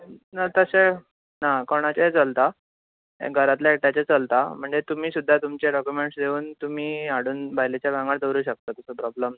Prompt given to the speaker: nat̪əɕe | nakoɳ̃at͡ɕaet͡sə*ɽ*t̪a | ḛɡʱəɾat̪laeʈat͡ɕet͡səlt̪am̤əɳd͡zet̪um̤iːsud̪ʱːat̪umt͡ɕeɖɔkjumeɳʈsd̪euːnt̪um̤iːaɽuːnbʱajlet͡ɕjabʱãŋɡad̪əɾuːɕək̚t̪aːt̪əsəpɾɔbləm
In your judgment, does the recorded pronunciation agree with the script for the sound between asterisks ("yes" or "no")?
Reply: no